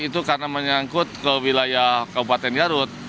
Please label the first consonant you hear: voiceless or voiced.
voiceless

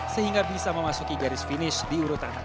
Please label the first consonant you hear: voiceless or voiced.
voiceless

